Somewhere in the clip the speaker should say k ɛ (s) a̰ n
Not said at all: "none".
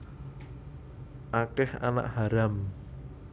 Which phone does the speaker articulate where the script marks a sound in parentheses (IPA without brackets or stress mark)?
h